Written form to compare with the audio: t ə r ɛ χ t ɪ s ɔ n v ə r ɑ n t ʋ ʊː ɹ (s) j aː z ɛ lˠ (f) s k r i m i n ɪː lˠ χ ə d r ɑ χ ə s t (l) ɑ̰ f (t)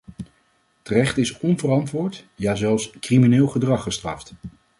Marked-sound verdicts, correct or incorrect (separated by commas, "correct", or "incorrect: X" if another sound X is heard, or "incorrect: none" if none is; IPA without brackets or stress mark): incorrect: t, correct, incorrect: r, correct